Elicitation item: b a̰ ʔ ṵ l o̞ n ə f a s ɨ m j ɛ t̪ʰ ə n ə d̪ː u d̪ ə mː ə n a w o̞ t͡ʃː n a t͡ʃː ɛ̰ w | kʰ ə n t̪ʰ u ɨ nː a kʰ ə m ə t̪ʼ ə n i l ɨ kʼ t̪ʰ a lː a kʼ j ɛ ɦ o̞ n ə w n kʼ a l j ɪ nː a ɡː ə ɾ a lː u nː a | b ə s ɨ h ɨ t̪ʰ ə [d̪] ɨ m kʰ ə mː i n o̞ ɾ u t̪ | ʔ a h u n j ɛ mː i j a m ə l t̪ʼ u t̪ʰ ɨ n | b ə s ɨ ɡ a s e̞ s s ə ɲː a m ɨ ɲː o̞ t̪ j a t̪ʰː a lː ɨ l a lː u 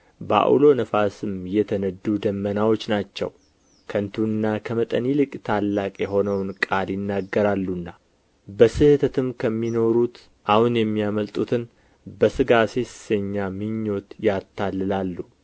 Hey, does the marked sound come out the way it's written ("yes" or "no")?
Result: no